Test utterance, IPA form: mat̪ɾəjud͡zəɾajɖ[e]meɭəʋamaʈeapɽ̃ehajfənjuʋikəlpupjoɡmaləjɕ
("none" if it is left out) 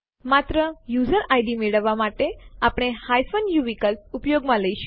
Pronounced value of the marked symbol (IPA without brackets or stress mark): i